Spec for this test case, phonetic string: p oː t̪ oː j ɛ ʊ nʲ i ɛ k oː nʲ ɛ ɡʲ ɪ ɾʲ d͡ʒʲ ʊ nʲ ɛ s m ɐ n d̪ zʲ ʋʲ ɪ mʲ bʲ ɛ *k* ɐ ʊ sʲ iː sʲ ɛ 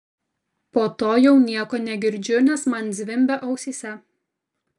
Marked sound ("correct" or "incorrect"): incorrect